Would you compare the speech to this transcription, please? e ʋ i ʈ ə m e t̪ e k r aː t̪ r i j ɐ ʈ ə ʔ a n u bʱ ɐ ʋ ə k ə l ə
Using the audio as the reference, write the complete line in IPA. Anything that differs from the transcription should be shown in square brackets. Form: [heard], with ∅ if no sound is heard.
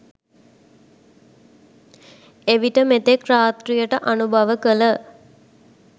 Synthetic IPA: e ʋ i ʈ ə m e t̪ e k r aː t̪ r i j [ə] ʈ ə ʔ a n u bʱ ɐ ʋ ə k ə l ə